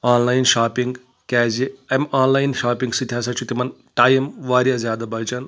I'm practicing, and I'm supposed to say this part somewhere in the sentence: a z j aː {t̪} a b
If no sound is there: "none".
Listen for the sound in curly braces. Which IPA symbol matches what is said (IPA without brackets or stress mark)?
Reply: d̪